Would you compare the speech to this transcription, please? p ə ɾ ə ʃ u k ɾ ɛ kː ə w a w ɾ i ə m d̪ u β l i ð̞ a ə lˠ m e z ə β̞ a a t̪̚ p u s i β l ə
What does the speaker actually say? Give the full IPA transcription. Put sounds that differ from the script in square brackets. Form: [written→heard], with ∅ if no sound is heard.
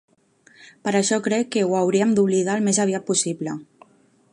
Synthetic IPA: p ə ɾ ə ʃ [u→ɔ] k ɾ ɛ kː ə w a w ɾ i ə m d̪ u β l i ð̞ a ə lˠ m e z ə β̞ [a→i] a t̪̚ p u s i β l ə